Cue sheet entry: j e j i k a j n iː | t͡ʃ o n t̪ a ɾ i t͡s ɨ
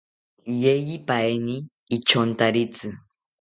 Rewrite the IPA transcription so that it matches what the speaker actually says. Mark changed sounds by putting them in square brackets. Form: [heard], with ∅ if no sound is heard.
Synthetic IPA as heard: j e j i [p] a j n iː | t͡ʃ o n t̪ a ɾ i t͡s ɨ

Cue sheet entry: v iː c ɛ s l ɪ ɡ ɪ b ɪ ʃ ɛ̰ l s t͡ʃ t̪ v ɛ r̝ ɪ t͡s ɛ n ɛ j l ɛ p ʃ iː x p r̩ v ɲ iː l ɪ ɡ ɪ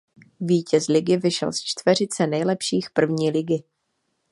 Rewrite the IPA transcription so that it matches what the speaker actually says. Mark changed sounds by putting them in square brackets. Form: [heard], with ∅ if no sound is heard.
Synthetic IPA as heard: v iː c ɛ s l ɪ ɡ ɪ [v] ɪ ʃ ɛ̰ l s t͡ʃ t̪ v ɛ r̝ ɪ t͡s ɛ n ɛ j l ɛ p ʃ iː x p r̩ v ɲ iː l ɪ ɡ ɪ

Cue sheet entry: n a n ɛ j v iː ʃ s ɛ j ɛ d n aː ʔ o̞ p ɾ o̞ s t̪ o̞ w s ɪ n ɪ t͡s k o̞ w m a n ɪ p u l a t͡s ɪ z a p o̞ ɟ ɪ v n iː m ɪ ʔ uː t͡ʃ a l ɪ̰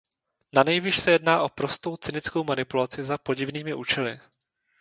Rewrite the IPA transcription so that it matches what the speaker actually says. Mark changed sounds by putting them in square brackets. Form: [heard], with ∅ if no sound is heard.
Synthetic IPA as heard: n a n ɛ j v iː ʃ s ɛ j ɛ d n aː ʔ o̞ p ɾ o̞ s t̪ o̞ w [t͡s] ɪ n ɪ t͡s k o̞ w m a n ɪ p u l a t͡s ɪ z a p o̞ ɟ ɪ v n iː m ɪ ʔ uː t͡ʃ [ɛ] l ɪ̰

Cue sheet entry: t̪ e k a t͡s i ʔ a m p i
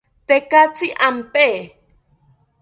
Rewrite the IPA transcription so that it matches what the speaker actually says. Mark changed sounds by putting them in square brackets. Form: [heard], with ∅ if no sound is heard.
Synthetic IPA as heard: t̪ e k a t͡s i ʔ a m p [e]

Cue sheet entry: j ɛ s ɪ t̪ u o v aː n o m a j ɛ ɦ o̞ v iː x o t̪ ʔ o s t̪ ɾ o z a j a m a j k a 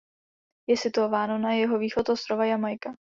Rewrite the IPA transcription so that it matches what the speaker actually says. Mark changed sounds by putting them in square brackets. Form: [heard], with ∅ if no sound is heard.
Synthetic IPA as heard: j ɛ s ɪ t̪ u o v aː n o [n] a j ɛ ɦ o̞ v iː x o t̪ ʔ o s t̪ ɾ o [v] a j a m a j k a

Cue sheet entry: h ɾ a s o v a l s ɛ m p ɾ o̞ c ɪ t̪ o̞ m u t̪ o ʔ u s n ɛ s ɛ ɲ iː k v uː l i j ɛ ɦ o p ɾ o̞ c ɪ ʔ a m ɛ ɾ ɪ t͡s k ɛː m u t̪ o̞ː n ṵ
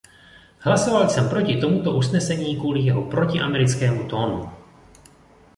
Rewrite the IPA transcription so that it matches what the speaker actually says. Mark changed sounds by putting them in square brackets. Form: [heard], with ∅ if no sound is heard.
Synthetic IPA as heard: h [l] a s o v a l s ɛ m p ɾ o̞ c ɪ t̪ o̞ m u t̪ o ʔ u s n ɛ s ɛ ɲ iː k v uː l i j ɛ ɦ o p ɾ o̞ c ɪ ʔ a m ɛ ɾ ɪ t͡s k ɛː m u t̪ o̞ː n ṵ

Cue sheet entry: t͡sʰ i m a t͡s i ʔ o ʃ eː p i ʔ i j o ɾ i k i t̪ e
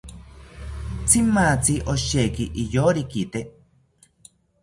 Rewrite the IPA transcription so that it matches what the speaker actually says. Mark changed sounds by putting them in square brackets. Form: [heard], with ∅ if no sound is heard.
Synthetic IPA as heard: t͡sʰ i m a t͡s i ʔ o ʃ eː [k] i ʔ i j o ɾ i k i t̪ e

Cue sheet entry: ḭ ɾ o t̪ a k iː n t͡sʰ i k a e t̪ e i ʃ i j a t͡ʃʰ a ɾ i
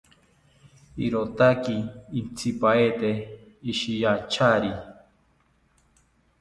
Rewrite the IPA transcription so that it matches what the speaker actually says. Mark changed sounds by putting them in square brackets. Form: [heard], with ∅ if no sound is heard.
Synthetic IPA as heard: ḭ ɾ o t̪ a k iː n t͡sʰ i [p] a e t̪ e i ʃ i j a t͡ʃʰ a ɾ i

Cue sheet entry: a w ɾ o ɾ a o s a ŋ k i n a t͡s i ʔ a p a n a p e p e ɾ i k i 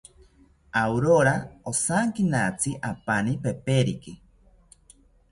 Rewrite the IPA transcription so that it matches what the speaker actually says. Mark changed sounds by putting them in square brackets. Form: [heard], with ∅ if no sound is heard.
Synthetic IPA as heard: a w ɾ o ɾ a o s a ŋ k i n a t͡s i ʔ a p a n [i] p e p e ɾ i k i

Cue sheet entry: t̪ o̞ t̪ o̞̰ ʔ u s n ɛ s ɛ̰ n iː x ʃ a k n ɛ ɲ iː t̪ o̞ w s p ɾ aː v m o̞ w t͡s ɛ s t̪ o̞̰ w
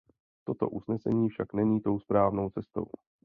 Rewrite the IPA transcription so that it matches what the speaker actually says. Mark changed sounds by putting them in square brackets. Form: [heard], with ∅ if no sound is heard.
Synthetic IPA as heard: t̪ o̞ t̪ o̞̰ ʔ u s n ɛ s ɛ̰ [ɲ] iː [f] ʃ a k n ɛ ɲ iː t̪ o̞ w s p ɾ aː v [n] o̞ w t͡s ɛ s t̪ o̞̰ w

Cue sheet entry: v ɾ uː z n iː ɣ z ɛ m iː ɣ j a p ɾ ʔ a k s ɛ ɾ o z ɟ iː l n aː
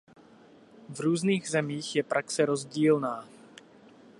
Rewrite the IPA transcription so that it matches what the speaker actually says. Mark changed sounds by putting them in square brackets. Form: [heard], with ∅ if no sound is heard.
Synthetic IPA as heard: v ɾ uː z n iː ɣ z ɛ m iː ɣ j [ɛ] p ɾ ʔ a k s ɛ ɾ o z ɟ iː l n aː

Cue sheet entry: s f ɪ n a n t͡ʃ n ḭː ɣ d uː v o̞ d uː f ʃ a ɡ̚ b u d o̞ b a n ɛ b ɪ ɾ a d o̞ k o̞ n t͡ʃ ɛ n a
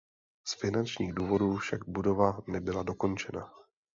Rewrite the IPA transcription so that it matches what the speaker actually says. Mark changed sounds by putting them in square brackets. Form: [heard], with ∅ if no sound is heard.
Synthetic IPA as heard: s f ɪ n a n t͡ʃ [ɲ] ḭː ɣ d uː v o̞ d uː f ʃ a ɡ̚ b u d o̞ [v] a n ɛ b ɪ [l] a d o̞ k o̞ n t͡ʃ ɛ n a

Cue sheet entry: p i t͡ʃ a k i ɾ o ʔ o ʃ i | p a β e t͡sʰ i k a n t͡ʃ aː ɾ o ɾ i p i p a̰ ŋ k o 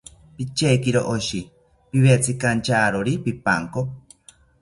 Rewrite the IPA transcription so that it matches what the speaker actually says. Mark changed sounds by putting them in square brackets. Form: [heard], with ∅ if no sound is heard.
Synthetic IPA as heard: p i t͡ʃ [e] k i ɾ o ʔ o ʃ i | p [i] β e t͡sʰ i k a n t͡ʃ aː ɾ o ɾ i p i p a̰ ŋ k o

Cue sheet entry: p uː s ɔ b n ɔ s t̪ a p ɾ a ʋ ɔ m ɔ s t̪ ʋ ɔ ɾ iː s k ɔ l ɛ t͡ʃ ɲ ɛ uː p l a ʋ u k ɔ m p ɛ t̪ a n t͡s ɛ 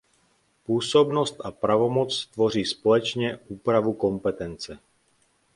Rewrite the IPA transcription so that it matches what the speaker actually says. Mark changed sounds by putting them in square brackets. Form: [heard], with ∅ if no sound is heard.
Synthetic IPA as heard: p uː s ɔ b n ɔ s t̪ a p ɾ a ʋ ɔ m ɔ [t͡s] t̪ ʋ ɔ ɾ iː s [p] ɔ l ɛ t͡ʃ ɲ ɛ uː p [ɾ] a ʋ u k ɔ m p ɛ t̪ [ɛ] n t͡s ɛ

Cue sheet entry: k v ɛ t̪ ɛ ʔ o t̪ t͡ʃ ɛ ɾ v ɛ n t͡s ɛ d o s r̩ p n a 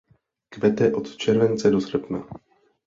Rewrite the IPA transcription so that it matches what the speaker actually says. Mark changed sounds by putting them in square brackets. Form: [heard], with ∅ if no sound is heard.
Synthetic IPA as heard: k v ɛ t̪ ɛ ʔ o t̪ t͡ʃ ɛ ɾ v ɛ n t͡s ɛ d o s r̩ p n a

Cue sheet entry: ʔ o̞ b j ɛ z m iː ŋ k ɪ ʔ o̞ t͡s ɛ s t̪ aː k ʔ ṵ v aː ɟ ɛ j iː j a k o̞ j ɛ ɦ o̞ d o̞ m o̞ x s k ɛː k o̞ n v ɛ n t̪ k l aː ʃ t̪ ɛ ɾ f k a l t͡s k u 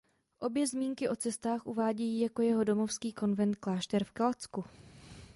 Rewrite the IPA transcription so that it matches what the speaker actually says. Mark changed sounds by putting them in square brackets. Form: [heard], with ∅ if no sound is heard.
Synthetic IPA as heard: ʔ o̞ b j ɛ z m iː ŋ k ɪ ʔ o̞ t͡s ɛ s t̪ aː [x] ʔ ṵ v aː ɟ ɛ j iː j a k o̞ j ɛ ɦ o̞ d o̞ m o̞ [f] s k [iː] k o̞ n v ɛ n t̪ k l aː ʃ t̪ ɛ ɾ f k a l t͡s k u

